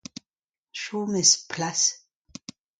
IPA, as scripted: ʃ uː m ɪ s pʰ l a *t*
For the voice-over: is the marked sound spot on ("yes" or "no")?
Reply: no